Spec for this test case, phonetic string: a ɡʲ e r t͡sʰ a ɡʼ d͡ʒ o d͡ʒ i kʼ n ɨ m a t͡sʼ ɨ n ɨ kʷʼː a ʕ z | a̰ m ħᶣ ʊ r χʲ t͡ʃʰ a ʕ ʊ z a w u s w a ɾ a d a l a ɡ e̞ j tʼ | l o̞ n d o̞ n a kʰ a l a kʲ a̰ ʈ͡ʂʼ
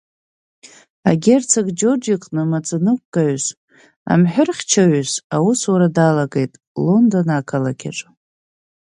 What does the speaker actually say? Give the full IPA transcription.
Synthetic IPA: a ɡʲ e r t͡sʰ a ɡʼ d͡ʒ o d͡ʒ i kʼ n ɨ m a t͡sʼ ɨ n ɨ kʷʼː a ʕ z | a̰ m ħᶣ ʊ r χʲ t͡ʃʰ a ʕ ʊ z a w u s w a ɾ a d a l a ɡ e̞ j tʼ | l o̞ n d o̞ n a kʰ a l a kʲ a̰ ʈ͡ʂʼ

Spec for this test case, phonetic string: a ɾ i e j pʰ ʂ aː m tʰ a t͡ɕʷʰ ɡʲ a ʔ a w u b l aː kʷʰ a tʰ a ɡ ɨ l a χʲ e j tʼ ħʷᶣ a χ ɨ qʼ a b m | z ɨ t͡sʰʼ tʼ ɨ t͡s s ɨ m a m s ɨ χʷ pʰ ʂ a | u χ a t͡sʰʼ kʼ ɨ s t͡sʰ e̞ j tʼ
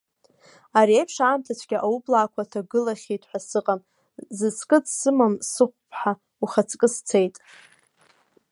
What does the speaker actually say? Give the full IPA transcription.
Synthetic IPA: a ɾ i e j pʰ ʂ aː m tʰ a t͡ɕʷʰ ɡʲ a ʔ a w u b l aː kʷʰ a tʰ a ɡ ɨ l a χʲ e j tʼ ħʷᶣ a s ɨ qʼ a m | z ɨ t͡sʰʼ kʼ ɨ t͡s s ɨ m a m s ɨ χʷ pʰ ħ a | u χ a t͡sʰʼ kʼ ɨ s t͡sʰ e̞ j tʼ

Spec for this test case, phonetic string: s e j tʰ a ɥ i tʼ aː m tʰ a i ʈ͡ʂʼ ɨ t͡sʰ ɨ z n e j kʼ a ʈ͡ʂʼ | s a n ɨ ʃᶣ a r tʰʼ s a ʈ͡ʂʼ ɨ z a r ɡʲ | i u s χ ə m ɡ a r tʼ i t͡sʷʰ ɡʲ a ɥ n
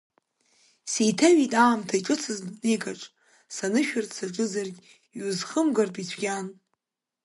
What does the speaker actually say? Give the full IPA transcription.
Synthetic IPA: s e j tʰ a ɥ i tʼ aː m tʰ a i ʈ͡ʂʼ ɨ t͡sʰ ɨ z n e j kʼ a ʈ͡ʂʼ | s a n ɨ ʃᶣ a r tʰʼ s a ʈ͡ʂʼ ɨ z a r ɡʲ | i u z χ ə m ɡ a r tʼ i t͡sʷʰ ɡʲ a n

